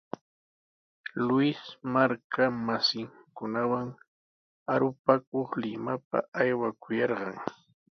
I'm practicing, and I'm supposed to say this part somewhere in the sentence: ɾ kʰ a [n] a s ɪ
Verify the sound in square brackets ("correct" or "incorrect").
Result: incorrect